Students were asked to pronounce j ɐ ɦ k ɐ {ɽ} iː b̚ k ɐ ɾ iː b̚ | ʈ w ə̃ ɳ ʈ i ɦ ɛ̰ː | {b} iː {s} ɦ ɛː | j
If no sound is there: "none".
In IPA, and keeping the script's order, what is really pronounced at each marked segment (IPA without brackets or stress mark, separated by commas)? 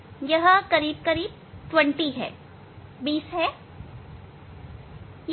ɾ, b, s